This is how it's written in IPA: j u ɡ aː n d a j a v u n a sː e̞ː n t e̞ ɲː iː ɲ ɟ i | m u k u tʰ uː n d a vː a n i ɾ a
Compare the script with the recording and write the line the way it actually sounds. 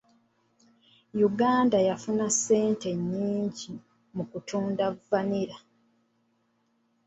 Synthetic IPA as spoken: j u ɡ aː n d a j a f u n a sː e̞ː n t e̞ ɲː iː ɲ ɟ i | m u k u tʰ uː n d a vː a n i ɾ a